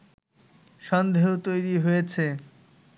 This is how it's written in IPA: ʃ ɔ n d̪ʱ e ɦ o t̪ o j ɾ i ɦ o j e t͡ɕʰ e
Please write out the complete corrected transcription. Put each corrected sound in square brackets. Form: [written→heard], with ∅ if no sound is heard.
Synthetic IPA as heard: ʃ ɔ n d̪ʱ e ɦ o t̪ o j ɾ i ɦ o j e t͡ɕʰ e